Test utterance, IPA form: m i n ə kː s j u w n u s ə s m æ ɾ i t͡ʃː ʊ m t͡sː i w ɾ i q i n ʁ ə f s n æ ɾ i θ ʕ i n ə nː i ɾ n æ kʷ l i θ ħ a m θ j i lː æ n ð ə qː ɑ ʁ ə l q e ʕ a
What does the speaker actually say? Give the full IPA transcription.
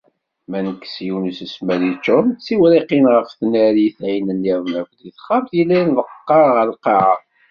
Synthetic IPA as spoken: m æ n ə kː s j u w n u s ə s m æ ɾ i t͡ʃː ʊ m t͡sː i w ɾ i q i n ʁ ə f θ n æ ɾ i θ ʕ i n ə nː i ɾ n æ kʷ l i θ χ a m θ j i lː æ n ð ə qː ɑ ʁ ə l q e ʕ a